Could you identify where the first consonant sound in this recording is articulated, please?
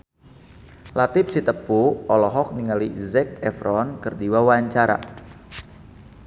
alveolar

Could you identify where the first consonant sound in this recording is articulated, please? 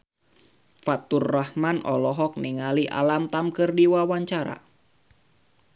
labial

